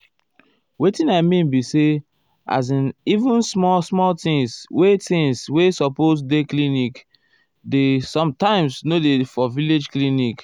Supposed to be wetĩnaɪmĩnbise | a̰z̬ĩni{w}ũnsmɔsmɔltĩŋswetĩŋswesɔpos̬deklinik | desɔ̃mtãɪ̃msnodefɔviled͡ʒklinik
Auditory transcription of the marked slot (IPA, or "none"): v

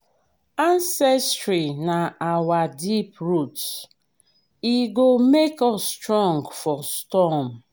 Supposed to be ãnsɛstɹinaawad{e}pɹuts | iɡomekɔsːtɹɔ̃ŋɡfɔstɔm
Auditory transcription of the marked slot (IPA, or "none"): i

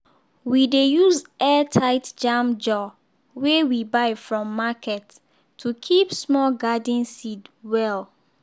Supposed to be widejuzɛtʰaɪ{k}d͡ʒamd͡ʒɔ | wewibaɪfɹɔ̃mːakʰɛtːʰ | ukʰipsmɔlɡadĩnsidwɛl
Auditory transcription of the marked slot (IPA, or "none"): t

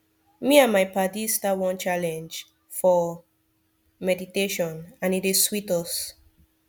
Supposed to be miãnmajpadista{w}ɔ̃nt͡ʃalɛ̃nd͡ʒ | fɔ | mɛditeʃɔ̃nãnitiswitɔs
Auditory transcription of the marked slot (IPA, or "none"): w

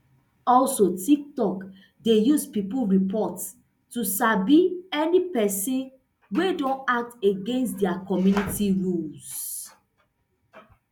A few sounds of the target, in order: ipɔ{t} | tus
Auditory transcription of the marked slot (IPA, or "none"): t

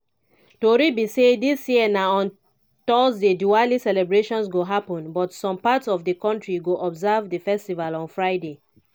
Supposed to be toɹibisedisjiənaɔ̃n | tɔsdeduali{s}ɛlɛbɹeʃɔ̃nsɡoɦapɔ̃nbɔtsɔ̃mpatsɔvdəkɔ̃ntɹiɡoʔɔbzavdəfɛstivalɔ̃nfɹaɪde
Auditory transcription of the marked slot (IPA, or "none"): s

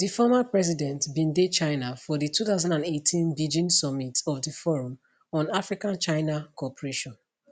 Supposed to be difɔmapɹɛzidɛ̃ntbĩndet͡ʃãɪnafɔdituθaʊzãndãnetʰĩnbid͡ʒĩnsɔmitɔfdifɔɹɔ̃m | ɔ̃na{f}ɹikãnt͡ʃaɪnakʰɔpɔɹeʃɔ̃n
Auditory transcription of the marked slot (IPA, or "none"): f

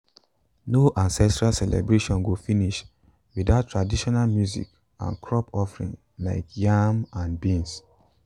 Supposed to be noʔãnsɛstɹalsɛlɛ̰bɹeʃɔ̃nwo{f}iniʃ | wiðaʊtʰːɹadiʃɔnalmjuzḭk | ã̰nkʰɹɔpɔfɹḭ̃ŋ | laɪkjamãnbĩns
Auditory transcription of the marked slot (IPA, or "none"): f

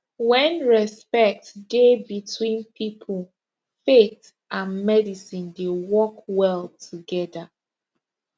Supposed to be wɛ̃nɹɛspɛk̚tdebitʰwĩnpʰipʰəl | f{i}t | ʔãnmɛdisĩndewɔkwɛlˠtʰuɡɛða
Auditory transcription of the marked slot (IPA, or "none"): e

